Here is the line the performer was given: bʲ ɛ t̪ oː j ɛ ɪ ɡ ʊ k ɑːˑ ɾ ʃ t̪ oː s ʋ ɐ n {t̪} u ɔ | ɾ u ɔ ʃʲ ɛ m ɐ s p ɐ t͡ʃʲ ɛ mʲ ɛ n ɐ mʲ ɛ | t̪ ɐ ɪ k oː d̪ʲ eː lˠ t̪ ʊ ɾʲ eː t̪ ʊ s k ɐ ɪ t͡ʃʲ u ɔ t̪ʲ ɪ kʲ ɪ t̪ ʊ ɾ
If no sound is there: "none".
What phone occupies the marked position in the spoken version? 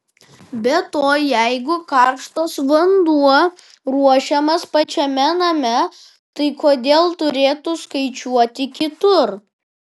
d̪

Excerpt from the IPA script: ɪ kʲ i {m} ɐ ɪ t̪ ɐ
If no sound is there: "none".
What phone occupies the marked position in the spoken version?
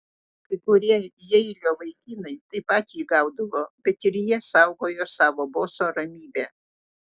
n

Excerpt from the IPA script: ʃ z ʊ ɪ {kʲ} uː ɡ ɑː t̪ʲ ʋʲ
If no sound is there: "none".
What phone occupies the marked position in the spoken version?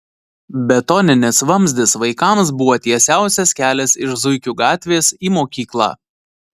kʲ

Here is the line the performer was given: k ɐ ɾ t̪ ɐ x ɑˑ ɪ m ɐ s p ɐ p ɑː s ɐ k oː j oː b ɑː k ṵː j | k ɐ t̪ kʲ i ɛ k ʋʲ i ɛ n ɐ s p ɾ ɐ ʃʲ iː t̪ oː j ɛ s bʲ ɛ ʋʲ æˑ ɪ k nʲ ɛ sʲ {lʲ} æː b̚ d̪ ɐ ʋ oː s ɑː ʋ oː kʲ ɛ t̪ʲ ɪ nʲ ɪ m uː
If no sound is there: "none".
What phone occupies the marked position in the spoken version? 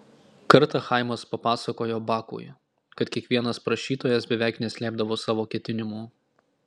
lʲ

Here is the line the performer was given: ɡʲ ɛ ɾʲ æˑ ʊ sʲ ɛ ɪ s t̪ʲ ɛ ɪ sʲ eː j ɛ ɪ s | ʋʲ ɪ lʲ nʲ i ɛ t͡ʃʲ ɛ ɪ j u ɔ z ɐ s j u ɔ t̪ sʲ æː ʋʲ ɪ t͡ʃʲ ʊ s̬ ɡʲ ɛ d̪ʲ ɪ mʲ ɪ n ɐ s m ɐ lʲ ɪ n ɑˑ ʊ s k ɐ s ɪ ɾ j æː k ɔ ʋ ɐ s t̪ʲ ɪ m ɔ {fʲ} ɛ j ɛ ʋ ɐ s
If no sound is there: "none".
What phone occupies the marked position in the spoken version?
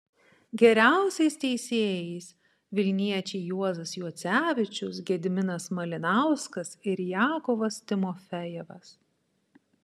fʲ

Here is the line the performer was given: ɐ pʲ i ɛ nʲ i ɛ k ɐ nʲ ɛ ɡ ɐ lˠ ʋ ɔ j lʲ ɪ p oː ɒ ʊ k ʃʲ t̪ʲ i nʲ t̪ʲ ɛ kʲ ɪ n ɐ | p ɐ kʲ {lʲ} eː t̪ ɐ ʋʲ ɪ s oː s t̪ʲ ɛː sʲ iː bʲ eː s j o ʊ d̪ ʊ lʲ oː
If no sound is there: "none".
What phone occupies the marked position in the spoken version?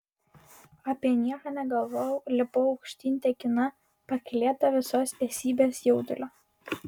lʲ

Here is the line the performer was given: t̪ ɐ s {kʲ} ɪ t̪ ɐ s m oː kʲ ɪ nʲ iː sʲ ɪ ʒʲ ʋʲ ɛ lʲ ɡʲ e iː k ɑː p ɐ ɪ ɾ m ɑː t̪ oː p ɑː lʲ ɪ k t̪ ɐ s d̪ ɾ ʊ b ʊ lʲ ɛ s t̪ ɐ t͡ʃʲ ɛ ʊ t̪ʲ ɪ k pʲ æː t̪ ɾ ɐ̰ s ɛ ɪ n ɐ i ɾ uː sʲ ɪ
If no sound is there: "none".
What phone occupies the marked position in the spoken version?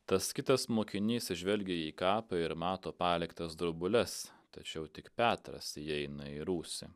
kʲ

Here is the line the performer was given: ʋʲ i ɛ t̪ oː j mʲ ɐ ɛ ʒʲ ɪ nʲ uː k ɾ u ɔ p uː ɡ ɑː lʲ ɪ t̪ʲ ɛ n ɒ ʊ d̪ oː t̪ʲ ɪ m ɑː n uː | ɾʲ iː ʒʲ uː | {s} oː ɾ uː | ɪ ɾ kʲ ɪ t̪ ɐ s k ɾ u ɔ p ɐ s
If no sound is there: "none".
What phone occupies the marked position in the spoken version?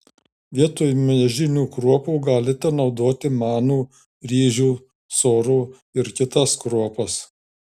s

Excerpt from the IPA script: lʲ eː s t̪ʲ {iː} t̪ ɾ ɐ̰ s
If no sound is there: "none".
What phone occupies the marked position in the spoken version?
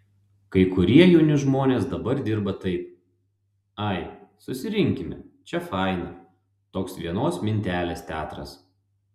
æː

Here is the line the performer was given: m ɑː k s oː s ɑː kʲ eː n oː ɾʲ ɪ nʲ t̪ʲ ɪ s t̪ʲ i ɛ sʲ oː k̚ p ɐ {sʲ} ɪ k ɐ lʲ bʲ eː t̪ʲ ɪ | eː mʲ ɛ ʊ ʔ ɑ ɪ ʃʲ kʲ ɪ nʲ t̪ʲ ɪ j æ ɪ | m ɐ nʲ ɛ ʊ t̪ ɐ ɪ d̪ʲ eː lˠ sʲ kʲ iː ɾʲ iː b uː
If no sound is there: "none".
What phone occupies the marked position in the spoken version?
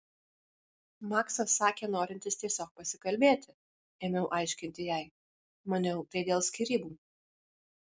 sʲ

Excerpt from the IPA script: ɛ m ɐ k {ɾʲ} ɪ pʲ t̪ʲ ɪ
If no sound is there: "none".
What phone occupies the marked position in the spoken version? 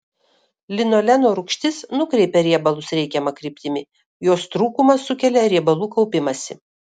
ɾʲ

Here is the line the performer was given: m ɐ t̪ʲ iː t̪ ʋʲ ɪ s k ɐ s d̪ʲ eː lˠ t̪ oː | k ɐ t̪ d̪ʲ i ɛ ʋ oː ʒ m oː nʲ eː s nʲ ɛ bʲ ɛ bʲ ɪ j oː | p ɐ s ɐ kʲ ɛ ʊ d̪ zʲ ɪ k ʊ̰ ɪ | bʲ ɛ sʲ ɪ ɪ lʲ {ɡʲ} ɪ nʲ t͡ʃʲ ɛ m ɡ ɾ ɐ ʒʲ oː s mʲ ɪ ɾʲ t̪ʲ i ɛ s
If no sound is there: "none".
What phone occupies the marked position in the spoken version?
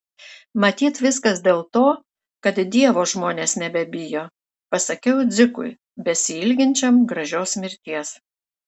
ɡʲ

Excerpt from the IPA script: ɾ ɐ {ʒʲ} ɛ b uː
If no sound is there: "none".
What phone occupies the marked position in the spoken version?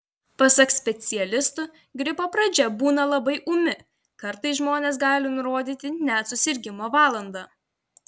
d͡ʒʲ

